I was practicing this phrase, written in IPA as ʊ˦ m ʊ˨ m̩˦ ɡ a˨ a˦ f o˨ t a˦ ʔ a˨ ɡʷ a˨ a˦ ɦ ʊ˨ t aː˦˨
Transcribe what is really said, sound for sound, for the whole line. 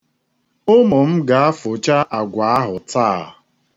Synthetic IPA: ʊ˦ m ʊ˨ m̩˦ ɡ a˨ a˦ f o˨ t͡ʃ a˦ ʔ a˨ ɡʷ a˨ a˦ ɦ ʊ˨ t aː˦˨